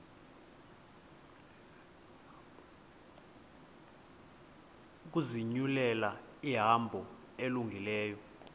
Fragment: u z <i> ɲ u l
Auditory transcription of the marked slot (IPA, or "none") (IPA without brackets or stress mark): i